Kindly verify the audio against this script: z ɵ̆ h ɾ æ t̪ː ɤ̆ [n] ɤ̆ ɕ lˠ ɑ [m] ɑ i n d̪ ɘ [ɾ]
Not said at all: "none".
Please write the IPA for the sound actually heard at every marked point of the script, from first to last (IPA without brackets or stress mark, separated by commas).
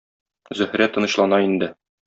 n, n, none